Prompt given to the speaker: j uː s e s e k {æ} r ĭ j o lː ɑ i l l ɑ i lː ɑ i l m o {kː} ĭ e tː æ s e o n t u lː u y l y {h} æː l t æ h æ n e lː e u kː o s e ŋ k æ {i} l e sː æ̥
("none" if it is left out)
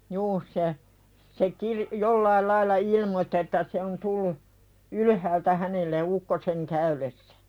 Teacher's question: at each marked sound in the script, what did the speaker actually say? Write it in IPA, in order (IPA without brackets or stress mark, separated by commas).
i, tː, h, y